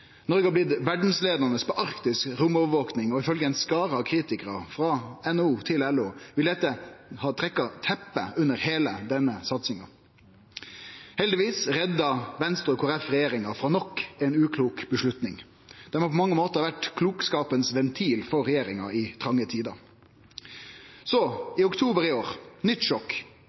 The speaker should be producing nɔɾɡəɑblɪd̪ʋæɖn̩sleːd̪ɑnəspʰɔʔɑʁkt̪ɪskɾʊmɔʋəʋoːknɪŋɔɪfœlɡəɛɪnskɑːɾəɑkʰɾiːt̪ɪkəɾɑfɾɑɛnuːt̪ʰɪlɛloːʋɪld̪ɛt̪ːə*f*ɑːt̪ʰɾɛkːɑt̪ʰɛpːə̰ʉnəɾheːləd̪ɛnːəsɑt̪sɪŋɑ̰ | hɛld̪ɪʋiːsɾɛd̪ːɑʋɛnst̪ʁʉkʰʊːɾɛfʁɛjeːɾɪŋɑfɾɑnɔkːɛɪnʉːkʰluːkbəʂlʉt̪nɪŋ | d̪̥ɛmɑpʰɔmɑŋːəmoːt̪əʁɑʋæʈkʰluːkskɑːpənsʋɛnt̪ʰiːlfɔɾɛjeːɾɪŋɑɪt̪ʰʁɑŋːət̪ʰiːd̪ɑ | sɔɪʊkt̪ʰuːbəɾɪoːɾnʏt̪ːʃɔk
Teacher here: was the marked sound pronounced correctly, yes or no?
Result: no